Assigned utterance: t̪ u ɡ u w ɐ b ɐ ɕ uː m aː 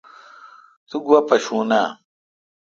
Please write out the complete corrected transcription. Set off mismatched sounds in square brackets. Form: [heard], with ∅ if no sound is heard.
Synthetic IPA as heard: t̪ u ɡ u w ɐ [p] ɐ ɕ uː [n] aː